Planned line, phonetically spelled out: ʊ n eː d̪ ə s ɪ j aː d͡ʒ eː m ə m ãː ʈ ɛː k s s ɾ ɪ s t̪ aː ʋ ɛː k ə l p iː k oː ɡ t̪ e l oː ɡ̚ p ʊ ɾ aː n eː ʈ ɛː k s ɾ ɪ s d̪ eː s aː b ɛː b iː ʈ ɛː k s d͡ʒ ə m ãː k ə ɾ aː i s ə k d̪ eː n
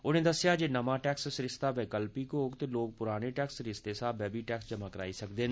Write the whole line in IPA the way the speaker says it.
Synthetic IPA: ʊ n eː d̪ ə s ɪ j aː d͡ʒ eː n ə m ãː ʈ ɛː k s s ɾ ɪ s t̪ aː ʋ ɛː k ə l p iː k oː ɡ t̪ e l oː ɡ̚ p ʊ ɾ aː n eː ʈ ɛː k s ɾ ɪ s t̪ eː s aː b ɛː b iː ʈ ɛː k s d͡ʒ ə m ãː k ə ɾ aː i s ə k d̪ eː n

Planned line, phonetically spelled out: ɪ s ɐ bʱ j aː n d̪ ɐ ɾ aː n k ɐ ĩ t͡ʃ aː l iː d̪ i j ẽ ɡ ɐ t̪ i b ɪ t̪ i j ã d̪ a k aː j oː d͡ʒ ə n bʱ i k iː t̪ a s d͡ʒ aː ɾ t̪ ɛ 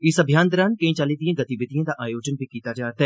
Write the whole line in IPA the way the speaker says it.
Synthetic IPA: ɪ s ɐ bʱ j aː n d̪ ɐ ɾ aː n k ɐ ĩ t͡ʃ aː l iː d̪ i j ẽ ɡ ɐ t̪ i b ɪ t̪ i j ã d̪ a ʔ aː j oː d͡ʒ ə n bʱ i k iː t̪ a d͡ʒ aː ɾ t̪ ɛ

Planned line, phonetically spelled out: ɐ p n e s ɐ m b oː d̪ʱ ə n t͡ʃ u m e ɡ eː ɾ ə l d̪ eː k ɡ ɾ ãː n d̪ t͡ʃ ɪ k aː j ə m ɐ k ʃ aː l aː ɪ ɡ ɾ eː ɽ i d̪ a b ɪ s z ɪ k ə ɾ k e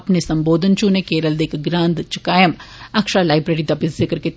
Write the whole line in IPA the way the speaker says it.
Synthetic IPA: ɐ p n e s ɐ m b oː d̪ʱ ə n t͡ʃ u n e k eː ɾ ə l d̪ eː k ɡ ɾ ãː n d̪ t͡ʃ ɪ k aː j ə m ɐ k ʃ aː l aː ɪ b ɾ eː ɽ i d̪ a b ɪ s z ɪ k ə ɾ k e

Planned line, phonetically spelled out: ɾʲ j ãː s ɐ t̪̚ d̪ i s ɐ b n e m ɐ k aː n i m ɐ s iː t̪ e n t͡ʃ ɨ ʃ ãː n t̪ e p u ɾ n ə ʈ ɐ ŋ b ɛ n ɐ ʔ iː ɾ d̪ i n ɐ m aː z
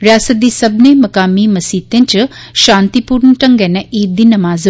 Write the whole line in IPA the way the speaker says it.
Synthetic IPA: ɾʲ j aː s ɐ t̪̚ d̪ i s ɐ b n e m ɐ k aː m i m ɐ s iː t̪ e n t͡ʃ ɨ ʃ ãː n t̪ i p u ɾ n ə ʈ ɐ ŋ ɡ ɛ n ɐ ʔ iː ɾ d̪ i n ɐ m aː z

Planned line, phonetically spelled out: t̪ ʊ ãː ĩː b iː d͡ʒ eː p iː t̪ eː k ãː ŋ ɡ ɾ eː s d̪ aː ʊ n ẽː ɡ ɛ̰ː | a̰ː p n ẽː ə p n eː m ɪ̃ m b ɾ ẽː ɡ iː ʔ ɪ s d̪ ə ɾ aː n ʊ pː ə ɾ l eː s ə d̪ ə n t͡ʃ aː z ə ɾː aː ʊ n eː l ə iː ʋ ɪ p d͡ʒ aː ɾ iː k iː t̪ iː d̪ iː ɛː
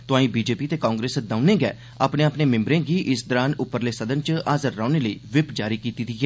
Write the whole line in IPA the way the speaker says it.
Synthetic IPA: t̪ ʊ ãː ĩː b iː d͡ʒ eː p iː t̪ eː k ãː ŋ ɡ ɾ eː s d̪ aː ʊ n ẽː ɡ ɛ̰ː | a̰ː p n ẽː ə p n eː m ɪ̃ m b ɾ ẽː ɡ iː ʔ ɪ s d̪ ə ɾ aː n ʊ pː ə ɾ l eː s ə d̪ ə n t͡ʃ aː z ə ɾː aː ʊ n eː l ə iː ʋ ɪ p d͡ʒ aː ɾ iː k iː t̪ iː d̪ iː ɛː

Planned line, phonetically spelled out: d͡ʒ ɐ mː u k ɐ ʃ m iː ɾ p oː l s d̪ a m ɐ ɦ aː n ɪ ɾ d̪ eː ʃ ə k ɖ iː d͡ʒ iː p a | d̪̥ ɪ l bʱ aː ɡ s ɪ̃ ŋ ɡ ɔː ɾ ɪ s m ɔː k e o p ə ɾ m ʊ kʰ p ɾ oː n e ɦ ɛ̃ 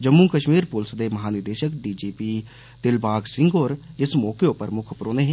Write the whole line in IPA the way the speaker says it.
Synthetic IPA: d͡ʒ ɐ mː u k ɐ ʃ m iː ɾ p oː l s d̪ e m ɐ ɦ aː n ɪ ɾ d̪ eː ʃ ə k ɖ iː d͡ʒ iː p i | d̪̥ ɪ l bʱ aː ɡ s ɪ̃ ŋ ɡ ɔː ɾ ɪ s m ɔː k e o p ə ɾ m ʊ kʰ p ɾ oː n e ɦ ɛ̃

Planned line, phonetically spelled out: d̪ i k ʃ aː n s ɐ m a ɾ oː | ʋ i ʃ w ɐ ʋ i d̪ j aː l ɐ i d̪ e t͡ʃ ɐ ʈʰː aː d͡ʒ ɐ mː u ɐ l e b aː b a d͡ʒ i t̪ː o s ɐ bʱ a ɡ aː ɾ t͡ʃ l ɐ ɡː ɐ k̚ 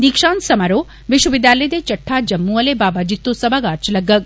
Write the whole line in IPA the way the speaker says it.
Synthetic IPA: d̪ i k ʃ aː n s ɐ m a ɾ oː | ʋ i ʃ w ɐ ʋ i d̪ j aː l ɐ j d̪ e t͡ʃ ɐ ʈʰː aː d͡ʒ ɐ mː u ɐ l e b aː b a d͡ʒ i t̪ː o s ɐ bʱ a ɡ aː ɾ t͡ʃ l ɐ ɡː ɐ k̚

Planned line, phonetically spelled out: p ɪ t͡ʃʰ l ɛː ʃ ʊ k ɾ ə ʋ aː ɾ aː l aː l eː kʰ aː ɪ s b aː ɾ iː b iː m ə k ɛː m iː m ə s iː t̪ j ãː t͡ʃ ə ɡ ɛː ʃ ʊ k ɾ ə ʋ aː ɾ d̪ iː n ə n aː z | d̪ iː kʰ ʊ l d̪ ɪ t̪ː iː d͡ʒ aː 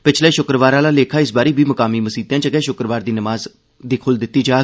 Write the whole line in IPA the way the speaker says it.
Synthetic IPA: p ɪ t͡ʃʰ l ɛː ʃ ʊ k ɾ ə ʋ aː ɾ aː l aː l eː kʰ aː ɪ s b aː ɾ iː b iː m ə k aː m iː m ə s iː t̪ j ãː t͡ʃ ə ɡ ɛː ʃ ʊ k ɾ ə ʋ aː ɾ d̪ iː n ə m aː z | d̪ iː kʰ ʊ l d̪ ɪ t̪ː iː d͡ʒ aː

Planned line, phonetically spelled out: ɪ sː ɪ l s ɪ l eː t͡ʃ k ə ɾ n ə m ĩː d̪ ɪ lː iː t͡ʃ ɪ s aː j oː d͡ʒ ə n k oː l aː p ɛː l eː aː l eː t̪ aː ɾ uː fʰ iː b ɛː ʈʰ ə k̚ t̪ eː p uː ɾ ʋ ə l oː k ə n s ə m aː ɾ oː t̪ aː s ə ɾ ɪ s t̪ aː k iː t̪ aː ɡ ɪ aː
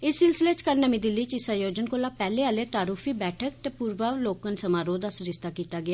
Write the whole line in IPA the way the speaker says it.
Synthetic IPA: ɪ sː ɪ l s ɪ l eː t͡ʃ k ə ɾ n ə m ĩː d̪ ɪ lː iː t͡ʃ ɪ s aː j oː d͡ʒ ə n k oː l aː p ɛː l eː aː l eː t̪ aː ɾ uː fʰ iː b ɛː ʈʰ ə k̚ t̪ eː p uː ɾ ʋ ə l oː k ə n s ə m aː ɾ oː d̪ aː s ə ɾ ɪ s t̪ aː k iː t̪ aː ɡ ɪ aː

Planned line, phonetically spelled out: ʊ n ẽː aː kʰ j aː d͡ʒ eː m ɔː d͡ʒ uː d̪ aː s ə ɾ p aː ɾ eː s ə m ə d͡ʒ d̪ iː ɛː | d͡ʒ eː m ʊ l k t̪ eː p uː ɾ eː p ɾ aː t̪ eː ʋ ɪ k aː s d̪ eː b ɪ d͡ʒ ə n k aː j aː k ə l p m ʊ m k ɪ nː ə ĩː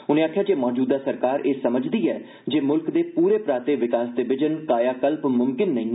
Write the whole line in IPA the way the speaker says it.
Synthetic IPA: ʊ n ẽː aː kʰ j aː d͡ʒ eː m ɔː d͡ʒ uː d̪ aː s ə ɾ k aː ɾ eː s ə m ə d͡ʒ d̪ iː ɛː | d͡ʒ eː m ʊ l k d̪ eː p uː ɾ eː p ɾ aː t̪ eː ʋ ɪ k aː s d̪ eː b ɪ d͡ʒ ə n k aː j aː k ə l p m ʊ m k ɪ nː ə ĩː

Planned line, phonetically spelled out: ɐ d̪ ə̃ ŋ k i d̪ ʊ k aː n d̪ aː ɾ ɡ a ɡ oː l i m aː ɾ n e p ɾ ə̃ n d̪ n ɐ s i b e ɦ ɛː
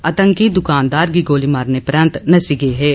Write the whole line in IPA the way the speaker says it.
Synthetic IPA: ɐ t̪ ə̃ ŋ k i d̪ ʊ k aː n d̪ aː ɾ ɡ i ɡ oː l i m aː ɾ n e p ɾ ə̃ n t̪ n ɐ s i ɡ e ɦ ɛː

